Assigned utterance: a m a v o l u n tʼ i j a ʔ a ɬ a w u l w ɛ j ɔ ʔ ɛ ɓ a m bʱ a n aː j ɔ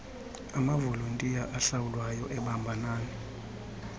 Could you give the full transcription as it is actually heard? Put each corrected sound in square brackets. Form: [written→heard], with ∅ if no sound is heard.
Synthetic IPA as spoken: a m a v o l u n tʼ i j a ʔ a ɬ a w u l w [ɛ→a] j ɔ ʔ ɛ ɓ a m bʱ a n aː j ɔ